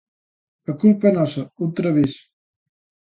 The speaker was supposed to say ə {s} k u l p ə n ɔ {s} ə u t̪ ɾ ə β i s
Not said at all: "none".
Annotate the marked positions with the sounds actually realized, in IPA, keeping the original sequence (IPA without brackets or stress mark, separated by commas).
none, s